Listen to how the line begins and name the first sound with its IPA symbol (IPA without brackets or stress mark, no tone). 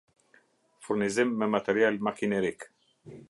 f